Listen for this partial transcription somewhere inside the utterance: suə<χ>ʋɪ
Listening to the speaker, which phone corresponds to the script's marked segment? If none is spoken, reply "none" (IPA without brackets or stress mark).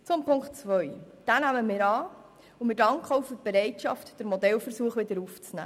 χ